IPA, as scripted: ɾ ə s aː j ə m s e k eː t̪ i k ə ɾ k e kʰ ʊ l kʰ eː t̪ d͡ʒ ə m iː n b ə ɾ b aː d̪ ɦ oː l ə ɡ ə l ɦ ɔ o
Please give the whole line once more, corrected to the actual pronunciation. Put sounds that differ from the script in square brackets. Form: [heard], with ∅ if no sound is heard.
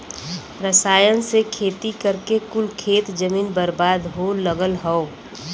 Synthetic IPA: ɾ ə s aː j ə [n] s e [kʰ] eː t̪ i k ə ɾ k e [k] ʊ l kʰ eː t̪ d͡ʒ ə m iː n b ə ɾ b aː d̪ ɦ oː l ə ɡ ə l ɦ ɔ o